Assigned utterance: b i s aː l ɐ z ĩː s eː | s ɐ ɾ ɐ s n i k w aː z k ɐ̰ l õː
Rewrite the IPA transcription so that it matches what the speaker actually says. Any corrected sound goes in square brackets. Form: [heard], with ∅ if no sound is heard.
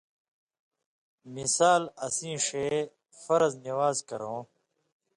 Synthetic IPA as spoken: [m] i s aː l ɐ [s] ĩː [ʂ] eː | [f] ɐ ɾ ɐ [z] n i [∅] w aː z k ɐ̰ [ɾ] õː